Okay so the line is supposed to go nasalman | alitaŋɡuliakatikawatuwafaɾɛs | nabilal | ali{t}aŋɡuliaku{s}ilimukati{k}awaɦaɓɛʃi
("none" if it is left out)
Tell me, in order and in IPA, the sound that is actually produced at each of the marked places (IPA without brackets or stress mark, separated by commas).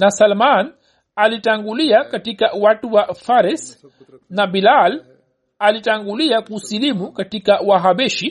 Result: t, s, k